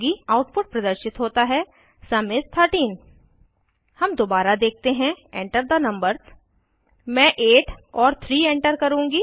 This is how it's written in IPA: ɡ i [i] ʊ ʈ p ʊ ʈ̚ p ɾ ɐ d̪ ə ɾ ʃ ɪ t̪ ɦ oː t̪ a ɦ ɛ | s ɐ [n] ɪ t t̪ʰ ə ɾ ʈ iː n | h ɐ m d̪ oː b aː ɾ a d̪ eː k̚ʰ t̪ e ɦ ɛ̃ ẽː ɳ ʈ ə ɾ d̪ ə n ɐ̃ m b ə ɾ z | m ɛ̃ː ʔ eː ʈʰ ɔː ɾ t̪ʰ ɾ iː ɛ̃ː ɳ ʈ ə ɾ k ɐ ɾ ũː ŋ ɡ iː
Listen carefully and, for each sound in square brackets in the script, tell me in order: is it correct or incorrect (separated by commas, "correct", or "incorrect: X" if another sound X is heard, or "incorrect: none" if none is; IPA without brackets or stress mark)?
incorrect: a, incorrect: m